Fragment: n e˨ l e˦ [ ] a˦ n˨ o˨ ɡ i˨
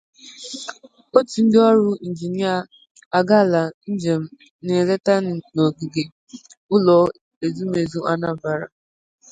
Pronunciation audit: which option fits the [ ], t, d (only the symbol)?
t